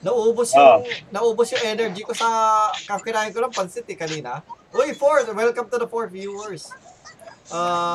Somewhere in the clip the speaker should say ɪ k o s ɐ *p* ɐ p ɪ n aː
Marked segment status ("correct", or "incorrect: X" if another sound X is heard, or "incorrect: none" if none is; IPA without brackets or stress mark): incorrect: k